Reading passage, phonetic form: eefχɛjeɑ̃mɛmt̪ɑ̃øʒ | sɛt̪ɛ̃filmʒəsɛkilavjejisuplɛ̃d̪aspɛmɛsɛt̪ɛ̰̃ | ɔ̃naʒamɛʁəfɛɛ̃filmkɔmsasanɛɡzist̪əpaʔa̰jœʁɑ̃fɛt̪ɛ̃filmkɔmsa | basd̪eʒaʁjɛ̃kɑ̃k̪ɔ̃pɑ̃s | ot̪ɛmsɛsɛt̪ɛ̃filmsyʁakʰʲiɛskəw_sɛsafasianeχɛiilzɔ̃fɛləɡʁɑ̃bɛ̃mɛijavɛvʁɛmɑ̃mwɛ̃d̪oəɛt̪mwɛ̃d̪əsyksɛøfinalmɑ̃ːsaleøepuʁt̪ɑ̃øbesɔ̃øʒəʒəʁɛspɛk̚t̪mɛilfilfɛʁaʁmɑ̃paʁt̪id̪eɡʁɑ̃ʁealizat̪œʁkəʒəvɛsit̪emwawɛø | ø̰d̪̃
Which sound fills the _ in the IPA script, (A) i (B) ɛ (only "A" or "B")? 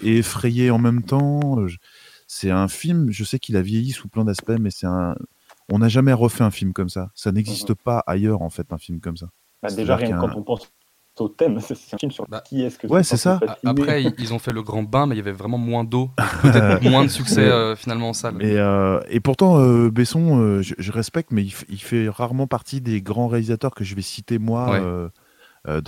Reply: B